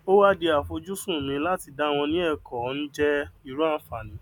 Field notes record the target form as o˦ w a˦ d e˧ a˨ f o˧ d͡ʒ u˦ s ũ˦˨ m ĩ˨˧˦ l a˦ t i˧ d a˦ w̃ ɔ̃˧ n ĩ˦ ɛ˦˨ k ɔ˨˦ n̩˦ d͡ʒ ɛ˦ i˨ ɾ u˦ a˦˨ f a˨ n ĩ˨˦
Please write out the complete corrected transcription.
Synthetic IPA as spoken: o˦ w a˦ d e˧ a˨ f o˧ d͡ʒ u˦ s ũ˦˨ m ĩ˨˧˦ l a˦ t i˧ d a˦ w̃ ɔ̃˧ n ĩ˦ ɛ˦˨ k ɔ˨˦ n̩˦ d͡ʒ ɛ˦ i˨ ɾ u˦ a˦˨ f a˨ n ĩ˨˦